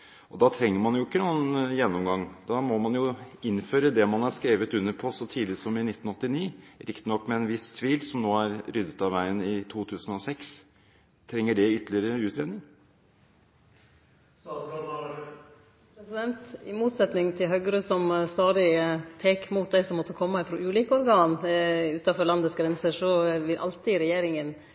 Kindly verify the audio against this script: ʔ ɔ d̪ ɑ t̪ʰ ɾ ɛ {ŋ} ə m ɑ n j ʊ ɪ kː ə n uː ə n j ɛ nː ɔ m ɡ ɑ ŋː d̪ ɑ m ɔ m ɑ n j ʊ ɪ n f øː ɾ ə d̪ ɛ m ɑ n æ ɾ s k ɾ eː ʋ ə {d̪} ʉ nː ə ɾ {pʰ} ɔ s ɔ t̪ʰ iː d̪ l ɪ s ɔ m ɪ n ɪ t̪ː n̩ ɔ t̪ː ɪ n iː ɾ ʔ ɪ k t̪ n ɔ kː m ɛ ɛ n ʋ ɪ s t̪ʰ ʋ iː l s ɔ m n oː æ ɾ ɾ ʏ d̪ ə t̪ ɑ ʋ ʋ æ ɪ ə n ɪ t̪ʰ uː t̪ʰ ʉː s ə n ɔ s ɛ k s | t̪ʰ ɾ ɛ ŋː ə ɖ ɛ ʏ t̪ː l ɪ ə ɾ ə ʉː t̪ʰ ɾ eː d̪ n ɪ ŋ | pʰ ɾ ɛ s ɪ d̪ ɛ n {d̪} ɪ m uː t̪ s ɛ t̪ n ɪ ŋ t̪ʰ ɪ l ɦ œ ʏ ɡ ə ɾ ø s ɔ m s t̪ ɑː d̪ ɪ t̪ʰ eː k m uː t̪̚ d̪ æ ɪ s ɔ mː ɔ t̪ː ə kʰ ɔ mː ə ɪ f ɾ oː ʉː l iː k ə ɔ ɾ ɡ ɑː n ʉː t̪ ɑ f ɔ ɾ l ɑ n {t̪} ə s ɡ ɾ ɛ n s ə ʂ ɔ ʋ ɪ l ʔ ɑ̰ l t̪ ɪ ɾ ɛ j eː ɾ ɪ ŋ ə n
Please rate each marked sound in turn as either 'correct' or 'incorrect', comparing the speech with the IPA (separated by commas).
incorrect, incorrect, correct, incorrect, incorrect